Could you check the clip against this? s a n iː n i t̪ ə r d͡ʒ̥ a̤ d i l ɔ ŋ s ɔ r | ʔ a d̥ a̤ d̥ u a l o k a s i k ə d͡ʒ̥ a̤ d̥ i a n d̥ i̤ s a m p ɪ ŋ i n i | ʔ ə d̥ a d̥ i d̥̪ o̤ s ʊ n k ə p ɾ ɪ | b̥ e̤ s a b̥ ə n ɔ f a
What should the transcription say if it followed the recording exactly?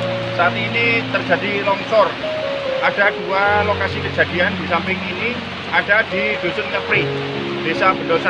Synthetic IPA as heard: s a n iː n i t̪ ə r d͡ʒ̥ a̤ d i l ɔ ŋ s ɔ r | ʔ a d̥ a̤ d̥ u a l o k a s i k ə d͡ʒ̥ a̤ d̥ i a n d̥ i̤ s a m p ɪ ŋ i n i | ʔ a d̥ a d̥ i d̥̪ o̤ s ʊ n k ə p ɾ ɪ | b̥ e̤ s a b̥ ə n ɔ s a